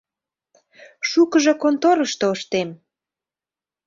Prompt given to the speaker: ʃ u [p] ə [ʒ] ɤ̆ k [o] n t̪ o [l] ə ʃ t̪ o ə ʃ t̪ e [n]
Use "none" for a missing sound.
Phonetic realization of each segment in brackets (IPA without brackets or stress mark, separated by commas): k, ʒ, o, ɾ, m